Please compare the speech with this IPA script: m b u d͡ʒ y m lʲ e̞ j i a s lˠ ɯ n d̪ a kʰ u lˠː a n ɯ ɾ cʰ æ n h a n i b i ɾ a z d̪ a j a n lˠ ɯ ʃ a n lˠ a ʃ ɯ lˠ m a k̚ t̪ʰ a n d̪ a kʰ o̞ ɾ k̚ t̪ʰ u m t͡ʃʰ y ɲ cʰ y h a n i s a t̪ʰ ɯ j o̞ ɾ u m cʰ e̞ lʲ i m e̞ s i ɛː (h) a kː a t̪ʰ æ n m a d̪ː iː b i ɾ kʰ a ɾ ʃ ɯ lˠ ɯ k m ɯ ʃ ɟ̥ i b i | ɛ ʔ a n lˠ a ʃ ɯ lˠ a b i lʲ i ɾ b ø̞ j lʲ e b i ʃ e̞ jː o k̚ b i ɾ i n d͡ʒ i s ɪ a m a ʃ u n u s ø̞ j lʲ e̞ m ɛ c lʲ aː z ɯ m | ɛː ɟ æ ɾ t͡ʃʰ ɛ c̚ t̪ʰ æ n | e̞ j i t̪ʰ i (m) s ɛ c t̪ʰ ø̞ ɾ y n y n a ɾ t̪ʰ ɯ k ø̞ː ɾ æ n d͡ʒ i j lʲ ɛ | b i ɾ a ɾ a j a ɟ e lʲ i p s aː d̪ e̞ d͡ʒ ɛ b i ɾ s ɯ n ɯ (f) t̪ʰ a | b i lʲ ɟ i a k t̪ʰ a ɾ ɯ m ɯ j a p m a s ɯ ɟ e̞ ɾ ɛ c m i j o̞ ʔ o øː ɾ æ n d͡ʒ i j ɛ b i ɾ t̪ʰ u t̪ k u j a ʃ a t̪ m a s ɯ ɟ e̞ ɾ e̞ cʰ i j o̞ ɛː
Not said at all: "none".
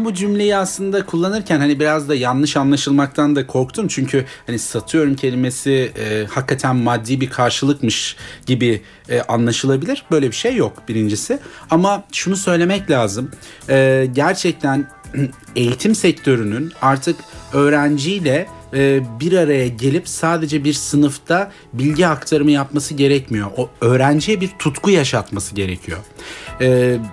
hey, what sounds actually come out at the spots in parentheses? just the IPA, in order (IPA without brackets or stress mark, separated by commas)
h, m, f